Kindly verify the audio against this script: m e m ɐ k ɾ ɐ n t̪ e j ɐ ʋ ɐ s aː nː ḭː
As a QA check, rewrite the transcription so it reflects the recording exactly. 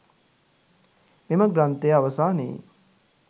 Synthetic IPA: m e m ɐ ɡ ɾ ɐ n t̪ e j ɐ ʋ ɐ s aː n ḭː